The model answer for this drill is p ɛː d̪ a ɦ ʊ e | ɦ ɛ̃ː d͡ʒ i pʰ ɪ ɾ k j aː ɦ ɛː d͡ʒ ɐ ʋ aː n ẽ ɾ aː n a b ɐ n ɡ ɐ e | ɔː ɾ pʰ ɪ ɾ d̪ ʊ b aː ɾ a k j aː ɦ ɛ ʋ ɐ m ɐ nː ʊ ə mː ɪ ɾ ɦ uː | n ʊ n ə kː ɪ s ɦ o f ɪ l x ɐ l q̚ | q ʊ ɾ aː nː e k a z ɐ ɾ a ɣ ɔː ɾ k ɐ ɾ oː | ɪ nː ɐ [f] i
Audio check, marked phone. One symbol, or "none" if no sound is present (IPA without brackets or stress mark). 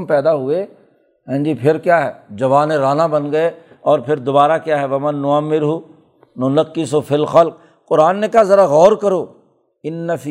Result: f